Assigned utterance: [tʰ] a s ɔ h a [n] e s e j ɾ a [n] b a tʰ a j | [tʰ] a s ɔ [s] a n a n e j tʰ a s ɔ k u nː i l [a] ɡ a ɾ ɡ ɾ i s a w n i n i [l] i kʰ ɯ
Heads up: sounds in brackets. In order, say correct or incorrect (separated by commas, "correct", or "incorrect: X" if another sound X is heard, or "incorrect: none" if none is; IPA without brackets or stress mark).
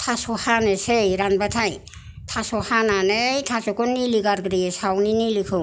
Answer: correct, correct, correct, correct, incorrect: h, incorrect: i, correct